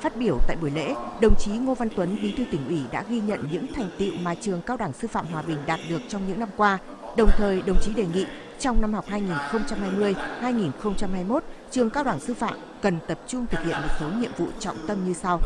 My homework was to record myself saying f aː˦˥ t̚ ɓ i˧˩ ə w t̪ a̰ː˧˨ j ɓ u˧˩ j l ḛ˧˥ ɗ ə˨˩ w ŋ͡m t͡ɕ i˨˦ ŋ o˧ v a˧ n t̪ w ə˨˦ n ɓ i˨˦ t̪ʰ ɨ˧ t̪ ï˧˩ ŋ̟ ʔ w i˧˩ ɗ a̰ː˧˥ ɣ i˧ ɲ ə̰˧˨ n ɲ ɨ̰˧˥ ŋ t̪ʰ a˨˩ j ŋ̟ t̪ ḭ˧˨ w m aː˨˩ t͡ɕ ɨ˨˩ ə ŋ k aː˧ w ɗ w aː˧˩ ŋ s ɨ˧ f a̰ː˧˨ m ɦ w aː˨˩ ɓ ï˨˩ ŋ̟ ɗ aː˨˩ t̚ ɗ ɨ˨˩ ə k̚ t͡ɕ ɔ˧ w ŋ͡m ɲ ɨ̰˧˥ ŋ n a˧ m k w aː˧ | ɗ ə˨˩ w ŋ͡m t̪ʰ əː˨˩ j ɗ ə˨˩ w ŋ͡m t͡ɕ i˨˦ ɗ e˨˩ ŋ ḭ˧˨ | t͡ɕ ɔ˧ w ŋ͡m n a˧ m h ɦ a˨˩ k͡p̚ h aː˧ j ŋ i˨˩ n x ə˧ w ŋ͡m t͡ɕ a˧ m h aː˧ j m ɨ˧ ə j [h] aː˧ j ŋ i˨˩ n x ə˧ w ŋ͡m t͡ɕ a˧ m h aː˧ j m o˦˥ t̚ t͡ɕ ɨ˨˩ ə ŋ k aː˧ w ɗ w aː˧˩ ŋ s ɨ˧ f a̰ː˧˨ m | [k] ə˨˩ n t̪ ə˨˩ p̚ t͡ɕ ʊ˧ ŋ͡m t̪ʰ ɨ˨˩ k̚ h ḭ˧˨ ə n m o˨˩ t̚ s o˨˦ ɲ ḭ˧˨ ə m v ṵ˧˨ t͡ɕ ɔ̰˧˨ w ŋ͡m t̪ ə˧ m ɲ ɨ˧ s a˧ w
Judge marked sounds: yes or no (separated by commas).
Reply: yes, yes